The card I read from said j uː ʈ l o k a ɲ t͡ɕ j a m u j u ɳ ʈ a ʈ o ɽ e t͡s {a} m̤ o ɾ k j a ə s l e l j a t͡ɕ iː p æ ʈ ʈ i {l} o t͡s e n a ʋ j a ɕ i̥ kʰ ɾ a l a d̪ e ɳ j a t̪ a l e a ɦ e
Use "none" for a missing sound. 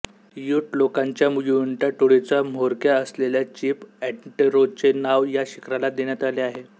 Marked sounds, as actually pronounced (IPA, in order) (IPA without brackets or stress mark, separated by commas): a, ɾ